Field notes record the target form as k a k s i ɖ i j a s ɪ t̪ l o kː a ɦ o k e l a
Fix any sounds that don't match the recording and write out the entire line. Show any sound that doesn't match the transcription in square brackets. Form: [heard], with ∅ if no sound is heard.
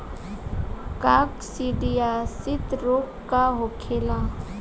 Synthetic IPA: k a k s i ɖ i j a s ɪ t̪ [ɾ] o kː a ɦ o [kʰ] e l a

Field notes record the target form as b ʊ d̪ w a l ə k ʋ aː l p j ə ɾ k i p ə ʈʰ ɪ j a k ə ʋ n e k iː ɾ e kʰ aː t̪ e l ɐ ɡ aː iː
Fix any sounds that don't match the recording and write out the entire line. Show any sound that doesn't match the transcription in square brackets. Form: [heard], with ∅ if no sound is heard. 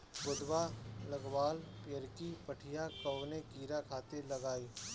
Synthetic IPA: b ʊ d̪ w a l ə [ɡ] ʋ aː l p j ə ɾ k i p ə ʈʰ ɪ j a k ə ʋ n e k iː ɾ [a] kʰ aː t̪ e l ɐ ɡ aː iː

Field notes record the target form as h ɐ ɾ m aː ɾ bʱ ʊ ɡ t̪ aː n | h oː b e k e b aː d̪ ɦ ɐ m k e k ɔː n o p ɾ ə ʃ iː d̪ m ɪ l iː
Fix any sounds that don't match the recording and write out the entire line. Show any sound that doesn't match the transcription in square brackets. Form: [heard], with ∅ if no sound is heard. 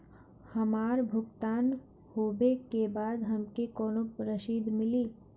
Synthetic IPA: h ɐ [∅] m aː ɾ bʱ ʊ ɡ t̪ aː n | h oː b e k e b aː d̪ ɦ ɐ m k e k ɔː n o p ɾ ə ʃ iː d̪ m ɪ l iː

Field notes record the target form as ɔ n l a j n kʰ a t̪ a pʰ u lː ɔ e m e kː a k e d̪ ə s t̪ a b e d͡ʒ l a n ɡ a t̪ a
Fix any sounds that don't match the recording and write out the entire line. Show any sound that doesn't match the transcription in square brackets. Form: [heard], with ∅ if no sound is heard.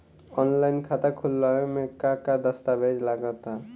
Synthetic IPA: ɔ n l a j n kʰ a t̪ a [kʰ] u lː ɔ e m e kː a k [a] d̪ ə s t̪ a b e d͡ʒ l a [∅] ɡ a t̪ a

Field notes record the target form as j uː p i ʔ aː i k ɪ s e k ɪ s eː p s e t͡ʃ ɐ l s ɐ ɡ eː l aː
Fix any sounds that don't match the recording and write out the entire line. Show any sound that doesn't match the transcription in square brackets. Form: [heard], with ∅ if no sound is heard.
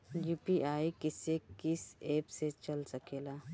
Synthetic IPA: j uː p i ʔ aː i k ɪ s e k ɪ s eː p s e t͡ʃ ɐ l s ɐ [k] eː l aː

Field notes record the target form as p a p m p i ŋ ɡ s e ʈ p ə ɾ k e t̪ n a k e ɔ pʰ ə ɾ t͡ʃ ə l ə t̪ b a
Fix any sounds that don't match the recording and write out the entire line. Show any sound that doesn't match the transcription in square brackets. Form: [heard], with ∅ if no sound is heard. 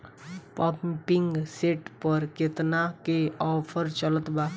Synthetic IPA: p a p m p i ŋ ɡ s e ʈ p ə ɾ k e t̪ n a k e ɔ pʰ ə ɾ t͡ʃ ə l ə t̪ b a

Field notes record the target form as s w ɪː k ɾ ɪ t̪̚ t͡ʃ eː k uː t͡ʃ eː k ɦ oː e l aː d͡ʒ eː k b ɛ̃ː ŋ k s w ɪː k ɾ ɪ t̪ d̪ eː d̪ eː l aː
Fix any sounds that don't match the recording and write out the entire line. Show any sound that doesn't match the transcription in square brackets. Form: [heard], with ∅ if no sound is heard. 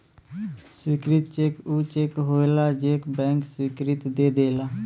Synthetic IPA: s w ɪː k ɾ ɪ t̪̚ t͡ʃ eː k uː t͡ʃ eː k ɦ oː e l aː d͡ʒ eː k b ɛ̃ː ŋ k s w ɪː k ɾ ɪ t̪ d̪ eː d̪ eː l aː

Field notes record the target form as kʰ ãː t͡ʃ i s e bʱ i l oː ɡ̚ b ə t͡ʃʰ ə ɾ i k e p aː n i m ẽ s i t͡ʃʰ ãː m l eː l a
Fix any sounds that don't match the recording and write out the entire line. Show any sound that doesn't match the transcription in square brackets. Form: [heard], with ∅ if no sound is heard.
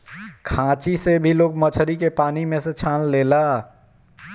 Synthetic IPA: kʰ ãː t͡ʃ i s e bʱ i l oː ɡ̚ [m] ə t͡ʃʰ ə ɾ i k e p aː n i m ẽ s [e] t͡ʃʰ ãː [n] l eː l a

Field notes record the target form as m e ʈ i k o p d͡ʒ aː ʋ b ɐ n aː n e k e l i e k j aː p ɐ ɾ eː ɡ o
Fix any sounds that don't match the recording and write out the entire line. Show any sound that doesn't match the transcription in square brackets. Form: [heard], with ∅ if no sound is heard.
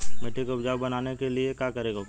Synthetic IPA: m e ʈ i k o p d͡ʒ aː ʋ b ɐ n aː n e k e l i e k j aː [k] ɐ ɾ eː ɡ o

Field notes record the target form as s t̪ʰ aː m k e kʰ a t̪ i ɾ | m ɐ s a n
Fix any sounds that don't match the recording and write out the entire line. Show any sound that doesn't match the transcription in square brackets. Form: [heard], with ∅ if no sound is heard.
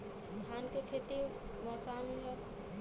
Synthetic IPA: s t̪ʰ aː [n] k e kʰ [e] t̪ i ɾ | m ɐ s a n

